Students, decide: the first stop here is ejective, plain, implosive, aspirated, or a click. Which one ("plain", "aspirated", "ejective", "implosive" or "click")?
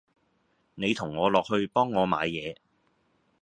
aspirated